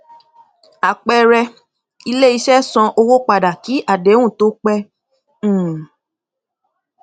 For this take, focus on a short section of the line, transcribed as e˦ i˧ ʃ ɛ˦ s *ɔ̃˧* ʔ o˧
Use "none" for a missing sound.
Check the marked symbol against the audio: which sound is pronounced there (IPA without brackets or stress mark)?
ɔ̃˧